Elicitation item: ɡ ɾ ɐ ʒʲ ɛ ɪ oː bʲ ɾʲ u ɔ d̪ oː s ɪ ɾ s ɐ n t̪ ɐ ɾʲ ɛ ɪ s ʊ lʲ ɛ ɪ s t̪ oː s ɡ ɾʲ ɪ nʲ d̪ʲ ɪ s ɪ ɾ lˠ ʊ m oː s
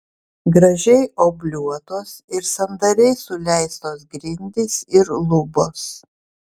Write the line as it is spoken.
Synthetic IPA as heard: ɡ ɾ ɐ ʒʲ ɛ ɪ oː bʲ lʲ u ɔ t̪ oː s ɪ ɾ s ɐ n d̪ ɐ ɾʲ ɛ ɪ s ʊ lʲ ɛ ɪ s t̪ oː s ɡ ɾʲ ɪ nʲ d̪ʲ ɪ s ɪ ɾ lˠ ʊ b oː s